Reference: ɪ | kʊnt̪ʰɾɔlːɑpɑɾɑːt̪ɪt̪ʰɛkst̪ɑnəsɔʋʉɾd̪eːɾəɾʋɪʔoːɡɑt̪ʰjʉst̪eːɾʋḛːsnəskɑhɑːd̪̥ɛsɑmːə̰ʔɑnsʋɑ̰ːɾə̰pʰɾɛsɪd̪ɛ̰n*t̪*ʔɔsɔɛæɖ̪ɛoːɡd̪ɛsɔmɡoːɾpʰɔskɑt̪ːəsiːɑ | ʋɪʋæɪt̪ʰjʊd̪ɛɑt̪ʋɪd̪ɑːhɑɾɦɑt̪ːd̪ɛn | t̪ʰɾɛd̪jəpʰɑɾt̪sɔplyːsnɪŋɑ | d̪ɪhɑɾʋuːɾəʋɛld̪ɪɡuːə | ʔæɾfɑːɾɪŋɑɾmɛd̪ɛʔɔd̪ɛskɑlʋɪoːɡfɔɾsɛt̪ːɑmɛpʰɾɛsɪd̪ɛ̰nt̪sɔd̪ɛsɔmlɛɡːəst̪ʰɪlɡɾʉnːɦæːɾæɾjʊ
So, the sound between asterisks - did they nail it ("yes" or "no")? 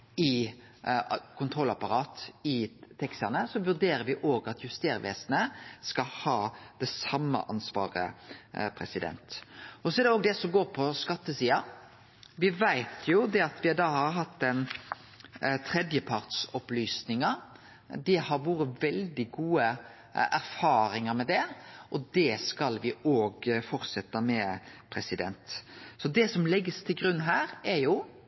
yes